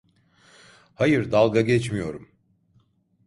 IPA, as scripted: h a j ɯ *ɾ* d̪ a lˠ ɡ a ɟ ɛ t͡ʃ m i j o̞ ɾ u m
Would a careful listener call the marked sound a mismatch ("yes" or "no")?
no